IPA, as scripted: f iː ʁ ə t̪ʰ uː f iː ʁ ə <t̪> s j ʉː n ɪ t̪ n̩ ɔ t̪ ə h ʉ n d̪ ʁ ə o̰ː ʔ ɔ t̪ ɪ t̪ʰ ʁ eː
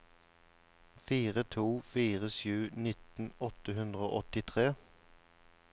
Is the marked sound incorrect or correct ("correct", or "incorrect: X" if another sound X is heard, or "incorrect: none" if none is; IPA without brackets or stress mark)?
incorrect: none